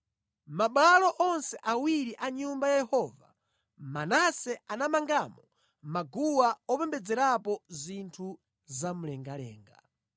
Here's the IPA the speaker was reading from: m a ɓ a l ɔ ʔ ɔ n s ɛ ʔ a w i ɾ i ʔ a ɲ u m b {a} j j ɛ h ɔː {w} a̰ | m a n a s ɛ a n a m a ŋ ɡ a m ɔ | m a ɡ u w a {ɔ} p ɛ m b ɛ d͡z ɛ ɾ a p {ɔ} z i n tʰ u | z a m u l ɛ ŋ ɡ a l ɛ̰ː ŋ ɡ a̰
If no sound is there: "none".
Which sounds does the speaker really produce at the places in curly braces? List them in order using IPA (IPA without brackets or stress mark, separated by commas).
a, v, ɔ, ɔ